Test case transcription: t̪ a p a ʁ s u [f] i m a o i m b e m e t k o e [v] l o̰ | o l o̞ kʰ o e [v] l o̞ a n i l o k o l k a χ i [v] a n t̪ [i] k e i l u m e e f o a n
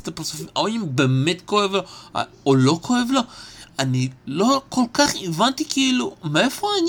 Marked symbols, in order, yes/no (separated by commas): yes, yes, yes, yes, yes